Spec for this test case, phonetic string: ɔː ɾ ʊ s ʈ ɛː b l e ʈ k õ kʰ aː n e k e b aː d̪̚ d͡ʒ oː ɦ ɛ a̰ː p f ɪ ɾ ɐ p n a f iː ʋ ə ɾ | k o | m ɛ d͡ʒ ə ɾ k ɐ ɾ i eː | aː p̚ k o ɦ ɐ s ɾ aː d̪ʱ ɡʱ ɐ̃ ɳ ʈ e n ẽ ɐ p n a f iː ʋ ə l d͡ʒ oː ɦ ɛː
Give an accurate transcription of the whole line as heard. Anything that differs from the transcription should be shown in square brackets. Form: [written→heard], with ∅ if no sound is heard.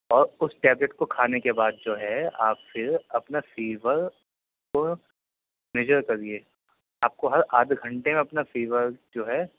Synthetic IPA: ɔː ɾ ʊ s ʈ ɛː b l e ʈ k [õ→o] kʰ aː n e k e b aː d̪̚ d͡ʒ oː ɦ ɛ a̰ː p f ɪ ɾ ɐ p n a f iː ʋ ə ɾ | k o | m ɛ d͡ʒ ə ɾ k ɐ ɾ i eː | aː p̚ k o ɦ ɐ [s→∅] ɾ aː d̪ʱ ɡʱ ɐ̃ ɳ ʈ e [n→m] ẽ ɐ p n a f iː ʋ ə [l→ɾ] d͡ʒ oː ɦ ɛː